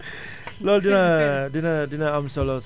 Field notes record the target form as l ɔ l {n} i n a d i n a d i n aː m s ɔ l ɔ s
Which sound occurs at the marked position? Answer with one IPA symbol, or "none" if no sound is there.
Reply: d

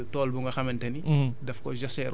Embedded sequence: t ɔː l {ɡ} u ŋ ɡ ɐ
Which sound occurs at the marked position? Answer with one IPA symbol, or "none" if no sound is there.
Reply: b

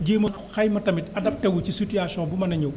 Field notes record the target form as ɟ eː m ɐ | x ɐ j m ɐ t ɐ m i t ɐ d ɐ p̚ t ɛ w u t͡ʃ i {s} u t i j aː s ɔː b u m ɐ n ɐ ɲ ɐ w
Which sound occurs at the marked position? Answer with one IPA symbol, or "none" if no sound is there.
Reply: s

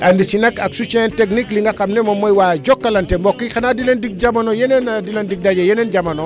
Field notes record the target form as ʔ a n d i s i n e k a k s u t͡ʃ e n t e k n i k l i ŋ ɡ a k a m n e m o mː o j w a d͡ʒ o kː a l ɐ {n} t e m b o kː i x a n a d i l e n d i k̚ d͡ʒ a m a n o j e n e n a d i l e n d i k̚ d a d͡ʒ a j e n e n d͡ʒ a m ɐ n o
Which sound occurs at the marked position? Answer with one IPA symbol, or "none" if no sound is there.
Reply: n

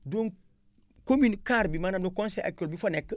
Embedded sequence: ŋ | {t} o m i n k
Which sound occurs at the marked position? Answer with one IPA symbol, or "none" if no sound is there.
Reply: k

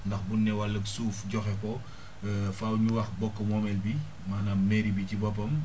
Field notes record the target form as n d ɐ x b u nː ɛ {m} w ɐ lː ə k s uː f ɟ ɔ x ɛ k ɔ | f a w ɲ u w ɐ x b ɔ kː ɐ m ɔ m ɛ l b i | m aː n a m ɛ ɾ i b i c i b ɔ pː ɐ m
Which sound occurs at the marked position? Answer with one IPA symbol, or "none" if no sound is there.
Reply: none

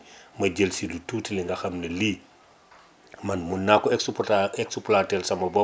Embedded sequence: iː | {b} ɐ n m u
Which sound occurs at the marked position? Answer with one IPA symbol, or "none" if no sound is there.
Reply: m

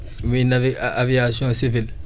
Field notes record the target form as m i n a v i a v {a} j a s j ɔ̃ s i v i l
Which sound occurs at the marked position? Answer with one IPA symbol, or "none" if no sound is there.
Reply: i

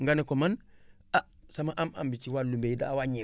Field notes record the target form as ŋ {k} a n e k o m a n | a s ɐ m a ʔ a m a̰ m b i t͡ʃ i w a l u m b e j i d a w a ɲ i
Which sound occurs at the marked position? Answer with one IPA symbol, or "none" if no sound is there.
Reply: ɡ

